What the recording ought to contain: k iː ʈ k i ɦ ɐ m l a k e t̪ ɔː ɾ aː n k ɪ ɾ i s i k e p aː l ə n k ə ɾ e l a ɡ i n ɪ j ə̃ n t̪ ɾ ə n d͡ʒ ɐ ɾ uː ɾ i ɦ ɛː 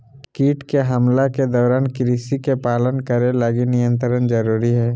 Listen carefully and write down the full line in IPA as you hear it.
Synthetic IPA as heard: k iː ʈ k e ɦ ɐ m l a k e d̪ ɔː ɾ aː n k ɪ ɾ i s i k e p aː l ə n k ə ɾ e l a ɡ i n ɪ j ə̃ n t̪ ɾ ə n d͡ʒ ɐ ɾ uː ɾ i ɦ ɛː